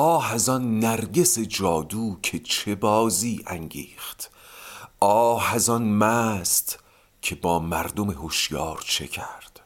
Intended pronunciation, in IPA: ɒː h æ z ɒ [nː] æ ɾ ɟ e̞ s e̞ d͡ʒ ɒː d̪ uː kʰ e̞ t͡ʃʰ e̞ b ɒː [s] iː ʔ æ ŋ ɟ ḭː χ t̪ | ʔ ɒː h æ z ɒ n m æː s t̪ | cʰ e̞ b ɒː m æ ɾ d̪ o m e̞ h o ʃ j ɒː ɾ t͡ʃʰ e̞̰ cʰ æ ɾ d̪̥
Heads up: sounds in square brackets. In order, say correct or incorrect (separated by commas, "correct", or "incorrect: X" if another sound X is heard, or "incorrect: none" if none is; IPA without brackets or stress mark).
correct, incorrect: z